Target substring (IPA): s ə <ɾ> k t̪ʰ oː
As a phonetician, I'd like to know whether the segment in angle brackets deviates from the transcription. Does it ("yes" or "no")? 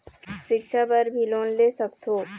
yes